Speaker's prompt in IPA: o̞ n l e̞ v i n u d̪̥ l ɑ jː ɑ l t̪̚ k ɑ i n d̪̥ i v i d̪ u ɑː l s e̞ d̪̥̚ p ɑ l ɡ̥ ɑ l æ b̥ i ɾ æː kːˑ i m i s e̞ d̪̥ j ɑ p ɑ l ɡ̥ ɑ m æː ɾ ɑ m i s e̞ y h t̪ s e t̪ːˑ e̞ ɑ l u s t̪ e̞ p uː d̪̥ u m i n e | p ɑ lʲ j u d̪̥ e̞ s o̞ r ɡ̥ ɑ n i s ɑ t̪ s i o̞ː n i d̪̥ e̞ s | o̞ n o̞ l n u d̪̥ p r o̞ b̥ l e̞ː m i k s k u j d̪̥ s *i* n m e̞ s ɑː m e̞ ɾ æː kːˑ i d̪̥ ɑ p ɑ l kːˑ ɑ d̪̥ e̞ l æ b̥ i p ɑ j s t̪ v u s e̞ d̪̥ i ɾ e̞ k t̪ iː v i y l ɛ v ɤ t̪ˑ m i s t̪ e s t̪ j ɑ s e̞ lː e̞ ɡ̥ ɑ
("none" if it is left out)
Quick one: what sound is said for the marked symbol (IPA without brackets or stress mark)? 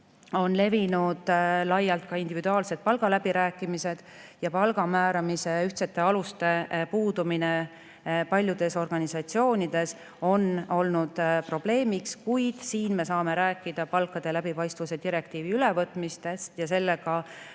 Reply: iː